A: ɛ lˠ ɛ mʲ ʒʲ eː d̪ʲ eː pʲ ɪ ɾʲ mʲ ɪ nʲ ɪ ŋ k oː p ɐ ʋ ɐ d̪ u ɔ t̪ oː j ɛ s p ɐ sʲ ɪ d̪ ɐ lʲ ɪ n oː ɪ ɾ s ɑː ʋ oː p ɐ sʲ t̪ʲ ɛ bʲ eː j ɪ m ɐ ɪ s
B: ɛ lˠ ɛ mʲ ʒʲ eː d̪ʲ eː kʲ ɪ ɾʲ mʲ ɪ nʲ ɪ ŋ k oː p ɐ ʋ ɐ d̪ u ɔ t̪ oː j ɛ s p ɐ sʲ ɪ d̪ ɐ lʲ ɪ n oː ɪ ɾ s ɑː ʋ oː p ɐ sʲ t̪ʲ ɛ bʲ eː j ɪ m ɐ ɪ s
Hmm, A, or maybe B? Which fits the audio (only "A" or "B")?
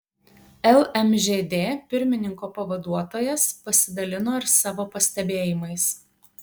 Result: A